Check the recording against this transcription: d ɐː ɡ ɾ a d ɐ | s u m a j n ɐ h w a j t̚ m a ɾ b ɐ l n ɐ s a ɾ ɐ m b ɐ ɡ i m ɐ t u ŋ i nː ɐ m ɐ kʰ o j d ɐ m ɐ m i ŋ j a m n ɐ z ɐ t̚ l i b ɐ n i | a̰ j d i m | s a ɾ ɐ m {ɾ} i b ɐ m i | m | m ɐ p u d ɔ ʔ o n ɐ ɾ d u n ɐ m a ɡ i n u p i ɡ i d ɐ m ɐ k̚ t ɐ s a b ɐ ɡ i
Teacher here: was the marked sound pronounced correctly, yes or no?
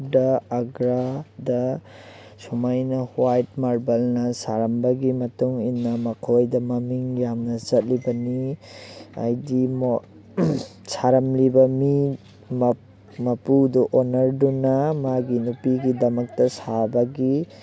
no